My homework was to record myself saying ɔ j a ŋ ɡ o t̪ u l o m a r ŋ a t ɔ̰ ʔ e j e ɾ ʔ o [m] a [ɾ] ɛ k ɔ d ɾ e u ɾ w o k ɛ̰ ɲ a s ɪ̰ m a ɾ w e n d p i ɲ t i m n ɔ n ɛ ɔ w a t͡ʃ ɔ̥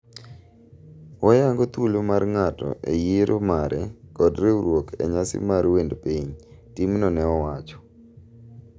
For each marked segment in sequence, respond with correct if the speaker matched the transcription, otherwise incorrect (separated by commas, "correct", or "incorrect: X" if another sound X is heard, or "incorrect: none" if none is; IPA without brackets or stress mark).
correct, correct